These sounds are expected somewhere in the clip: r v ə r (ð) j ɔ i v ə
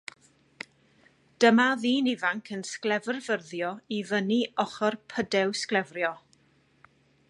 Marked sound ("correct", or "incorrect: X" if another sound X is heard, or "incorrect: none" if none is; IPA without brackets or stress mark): correct